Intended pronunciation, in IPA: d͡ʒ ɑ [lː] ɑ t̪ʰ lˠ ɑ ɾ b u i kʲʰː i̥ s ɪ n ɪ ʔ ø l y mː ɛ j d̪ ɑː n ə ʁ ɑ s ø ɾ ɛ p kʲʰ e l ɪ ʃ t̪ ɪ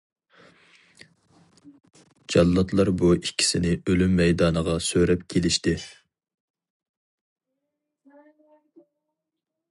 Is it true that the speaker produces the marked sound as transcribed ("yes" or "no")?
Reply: yes